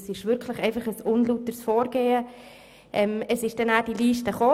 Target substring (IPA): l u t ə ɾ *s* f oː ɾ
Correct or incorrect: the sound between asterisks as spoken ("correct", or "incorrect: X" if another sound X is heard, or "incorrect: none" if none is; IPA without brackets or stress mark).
correct